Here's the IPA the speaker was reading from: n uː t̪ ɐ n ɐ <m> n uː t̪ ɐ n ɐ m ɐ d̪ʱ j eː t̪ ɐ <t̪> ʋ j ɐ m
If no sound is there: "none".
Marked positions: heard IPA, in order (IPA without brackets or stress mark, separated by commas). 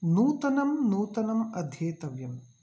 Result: m, none